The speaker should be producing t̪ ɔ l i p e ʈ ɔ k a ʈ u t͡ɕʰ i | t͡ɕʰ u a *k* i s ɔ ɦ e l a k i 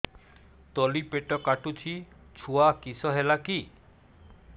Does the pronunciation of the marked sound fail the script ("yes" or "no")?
no